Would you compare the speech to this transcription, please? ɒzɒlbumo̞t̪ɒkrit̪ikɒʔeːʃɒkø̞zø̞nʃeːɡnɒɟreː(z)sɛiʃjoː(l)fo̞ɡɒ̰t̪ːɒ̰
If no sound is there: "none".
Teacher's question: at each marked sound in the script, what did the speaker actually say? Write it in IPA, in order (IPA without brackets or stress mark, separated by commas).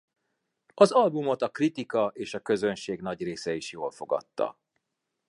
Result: none, l